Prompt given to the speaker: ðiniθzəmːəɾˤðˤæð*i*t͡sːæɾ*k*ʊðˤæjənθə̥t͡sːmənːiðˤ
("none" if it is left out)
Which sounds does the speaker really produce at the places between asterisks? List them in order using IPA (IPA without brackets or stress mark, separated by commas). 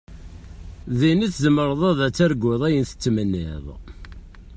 æ, ɡ